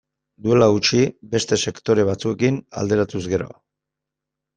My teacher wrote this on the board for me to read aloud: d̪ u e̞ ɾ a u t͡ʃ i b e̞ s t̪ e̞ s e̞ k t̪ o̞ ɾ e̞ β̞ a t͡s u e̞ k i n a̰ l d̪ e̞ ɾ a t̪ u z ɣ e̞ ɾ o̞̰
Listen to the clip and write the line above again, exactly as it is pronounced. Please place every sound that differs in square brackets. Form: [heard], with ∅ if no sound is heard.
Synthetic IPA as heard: d̪ u e̞ [l] a u t͡ʃ i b e̞ s t̪ e̞ s e̞ k t̪ o̞ ɾ e̞ β̞ a t͡s u e̞ k i n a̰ l d̪ e̞ ɾ a t̪ u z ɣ e̞ ɾ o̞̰